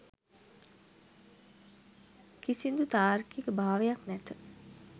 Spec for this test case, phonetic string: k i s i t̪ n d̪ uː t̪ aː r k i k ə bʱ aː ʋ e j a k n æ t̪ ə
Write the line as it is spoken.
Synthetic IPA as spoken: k i s i n d̪ u t̪ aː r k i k ə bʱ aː ʋ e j a k n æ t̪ ə